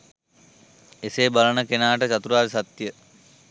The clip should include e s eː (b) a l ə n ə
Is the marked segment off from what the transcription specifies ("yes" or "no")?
no